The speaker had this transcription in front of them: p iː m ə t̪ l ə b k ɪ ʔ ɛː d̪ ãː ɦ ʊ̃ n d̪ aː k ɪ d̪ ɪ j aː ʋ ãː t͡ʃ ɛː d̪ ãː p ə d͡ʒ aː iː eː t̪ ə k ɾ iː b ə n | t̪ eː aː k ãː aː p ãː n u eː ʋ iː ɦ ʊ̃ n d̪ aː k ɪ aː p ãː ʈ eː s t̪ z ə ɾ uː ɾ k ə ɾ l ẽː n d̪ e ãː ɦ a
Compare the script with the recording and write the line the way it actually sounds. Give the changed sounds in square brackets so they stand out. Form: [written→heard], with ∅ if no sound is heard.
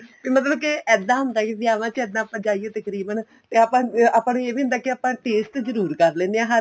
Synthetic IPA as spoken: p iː m ə t̪ l ə b k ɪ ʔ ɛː d̪ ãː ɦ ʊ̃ n d̪ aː k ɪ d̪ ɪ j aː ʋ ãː t͡ʃ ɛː d̪ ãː p ə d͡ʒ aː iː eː t̪ ə k ɾ iː b ə n | t̪ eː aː [k→p] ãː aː p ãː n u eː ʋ iː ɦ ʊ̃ n d̪ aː k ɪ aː p ãː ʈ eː s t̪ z ə ɾ uː ɾ k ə ɾ l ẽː n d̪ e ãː ɦ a